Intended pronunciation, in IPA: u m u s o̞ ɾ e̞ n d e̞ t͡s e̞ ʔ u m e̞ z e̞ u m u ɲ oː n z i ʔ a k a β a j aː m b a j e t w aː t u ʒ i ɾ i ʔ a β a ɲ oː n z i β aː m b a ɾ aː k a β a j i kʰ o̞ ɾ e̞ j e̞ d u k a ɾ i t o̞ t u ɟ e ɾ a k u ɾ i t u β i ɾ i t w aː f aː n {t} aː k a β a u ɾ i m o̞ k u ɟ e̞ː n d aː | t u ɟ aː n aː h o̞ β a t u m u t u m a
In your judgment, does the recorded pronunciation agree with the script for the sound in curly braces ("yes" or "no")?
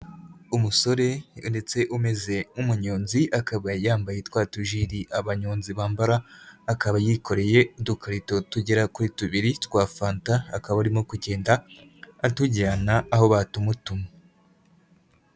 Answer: yes